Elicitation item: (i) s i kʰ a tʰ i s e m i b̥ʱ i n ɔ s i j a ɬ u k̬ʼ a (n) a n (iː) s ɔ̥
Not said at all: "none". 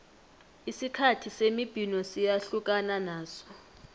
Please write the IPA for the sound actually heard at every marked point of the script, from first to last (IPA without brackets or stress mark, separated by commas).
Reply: i, n, aː